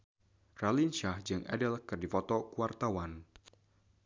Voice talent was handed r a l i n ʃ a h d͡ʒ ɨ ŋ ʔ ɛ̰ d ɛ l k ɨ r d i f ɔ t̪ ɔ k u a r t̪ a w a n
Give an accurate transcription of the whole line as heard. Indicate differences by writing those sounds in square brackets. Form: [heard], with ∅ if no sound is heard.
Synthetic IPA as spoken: r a l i n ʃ a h d͡ʒ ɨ ŋ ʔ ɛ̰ d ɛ l k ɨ r d i f ɔ t̪ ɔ k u a r t̪ a w a n